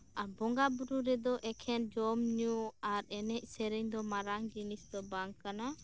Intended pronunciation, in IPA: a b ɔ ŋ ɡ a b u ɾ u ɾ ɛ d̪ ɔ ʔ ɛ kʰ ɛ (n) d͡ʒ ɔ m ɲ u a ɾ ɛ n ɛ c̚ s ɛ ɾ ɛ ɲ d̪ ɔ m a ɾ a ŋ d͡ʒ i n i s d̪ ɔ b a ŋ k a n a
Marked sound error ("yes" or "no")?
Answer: no